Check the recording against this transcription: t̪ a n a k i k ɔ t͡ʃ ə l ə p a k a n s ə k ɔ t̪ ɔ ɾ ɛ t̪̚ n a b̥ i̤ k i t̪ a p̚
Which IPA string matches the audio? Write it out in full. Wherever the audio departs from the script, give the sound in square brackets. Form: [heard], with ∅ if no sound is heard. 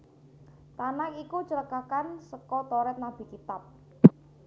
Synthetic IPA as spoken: t̪ a n a k i k [u] t͡ʃ ə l ə [k] a k a n s ə k ɔ t̪ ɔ ɾ ɛ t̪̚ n a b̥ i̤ k i t̪ a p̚